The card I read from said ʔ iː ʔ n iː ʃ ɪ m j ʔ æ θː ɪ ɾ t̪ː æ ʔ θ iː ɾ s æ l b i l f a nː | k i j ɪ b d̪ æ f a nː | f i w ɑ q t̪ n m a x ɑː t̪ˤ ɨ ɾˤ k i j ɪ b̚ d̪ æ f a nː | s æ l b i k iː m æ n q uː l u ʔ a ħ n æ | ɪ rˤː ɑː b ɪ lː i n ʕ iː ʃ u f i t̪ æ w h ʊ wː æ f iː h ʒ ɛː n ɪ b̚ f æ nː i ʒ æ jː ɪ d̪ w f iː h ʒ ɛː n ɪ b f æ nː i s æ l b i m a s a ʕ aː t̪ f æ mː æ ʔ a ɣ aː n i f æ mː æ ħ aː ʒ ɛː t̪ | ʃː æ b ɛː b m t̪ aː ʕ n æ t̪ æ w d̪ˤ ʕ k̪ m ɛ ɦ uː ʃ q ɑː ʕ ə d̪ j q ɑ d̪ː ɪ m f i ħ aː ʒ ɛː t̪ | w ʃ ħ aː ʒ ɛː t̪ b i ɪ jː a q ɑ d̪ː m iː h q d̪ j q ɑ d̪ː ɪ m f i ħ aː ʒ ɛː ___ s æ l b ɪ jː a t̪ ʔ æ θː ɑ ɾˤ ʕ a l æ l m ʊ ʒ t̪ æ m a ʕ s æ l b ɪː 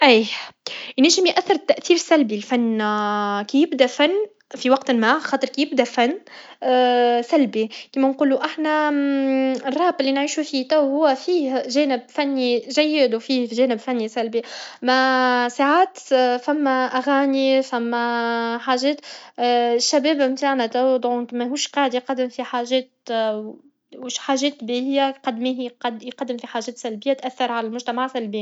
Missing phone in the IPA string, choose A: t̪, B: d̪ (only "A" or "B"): A